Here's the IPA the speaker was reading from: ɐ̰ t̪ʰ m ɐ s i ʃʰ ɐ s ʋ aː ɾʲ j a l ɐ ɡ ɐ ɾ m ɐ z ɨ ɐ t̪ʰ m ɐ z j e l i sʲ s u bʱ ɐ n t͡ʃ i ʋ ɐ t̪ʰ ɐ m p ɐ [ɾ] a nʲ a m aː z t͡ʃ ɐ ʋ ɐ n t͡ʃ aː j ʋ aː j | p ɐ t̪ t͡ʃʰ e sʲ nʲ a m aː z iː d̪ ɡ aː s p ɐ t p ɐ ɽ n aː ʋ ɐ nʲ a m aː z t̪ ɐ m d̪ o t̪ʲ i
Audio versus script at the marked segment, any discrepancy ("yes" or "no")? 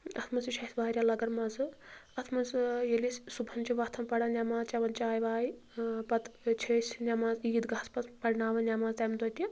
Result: yes